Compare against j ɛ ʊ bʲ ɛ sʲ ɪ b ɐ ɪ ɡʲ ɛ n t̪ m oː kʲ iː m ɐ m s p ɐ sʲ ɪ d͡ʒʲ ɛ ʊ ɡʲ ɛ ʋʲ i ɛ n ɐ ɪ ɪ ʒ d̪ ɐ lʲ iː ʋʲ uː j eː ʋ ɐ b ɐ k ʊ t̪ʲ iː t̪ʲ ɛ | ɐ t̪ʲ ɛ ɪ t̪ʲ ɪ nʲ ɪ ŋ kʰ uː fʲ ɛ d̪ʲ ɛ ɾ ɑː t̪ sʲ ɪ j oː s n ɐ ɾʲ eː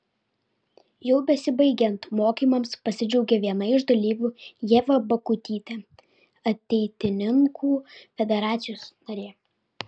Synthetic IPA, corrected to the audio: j ɛ ʊ bʲ ɛ sʲ ɪ b ɐ ɪ ɡʲ ɛ n t̪ m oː kʲ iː m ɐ m s p ɐ sʲ ɪ d͡ʒʲ ɛ ʊ ɡʲ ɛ ʋʲ i ɛ n ɐ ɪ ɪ ʒ d̪ ɐ lʲ iː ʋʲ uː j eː ʋ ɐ b ɐ k ʊ t̪ʲ iː t̪ʲ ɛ | ɐ t̪ʲ ɛ ɪ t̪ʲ ɪ nʲ ɪ ŋ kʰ uː fʲ ɛ d̪ʲ ɛ ɾ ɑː t̪ sʲ ɪ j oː s n ɐ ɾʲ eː